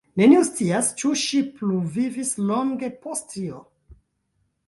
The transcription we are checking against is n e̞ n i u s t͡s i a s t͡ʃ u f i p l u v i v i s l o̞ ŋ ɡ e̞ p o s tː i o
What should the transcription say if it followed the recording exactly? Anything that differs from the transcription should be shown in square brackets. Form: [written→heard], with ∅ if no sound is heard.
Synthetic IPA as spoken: n e̞ n i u s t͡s i a s t͡ʃ u [f→ʃ] i p l u v i v i s l o̞ ŋ ɡ e̞ p o s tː i o